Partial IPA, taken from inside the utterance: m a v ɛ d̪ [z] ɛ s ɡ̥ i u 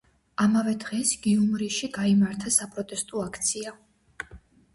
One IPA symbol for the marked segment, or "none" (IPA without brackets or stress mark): ʁ